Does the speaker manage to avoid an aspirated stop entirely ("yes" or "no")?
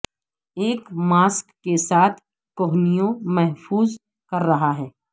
no